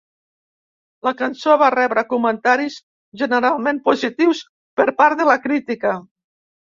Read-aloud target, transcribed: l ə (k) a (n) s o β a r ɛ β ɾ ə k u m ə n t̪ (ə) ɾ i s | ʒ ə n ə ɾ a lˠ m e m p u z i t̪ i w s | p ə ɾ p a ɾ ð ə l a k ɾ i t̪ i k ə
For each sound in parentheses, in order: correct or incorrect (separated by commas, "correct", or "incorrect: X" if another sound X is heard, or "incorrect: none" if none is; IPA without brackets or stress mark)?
correct, correct, incorrect: a